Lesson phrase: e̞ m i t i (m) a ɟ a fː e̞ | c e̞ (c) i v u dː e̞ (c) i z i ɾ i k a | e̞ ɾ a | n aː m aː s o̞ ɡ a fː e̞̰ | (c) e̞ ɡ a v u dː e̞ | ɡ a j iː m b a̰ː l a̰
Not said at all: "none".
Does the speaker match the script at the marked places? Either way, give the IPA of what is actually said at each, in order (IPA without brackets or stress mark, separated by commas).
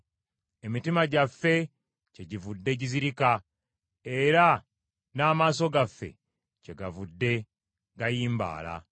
m, ɟ, ɟ, c